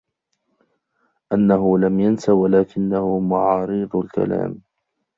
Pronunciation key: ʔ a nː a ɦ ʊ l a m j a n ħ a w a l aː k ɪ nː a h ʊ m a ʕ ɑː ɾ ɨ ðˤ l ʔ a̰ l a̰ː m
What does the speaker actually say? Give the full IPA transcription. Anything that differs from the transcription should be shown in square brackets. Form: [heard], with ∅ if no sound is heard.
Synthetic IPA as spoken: ʔ a nː a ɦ ʊ l a m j a n [s] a w a l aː k ɪ nː a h ʊ m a ʕ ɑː ɾ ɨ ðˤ l [k] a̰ l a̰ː m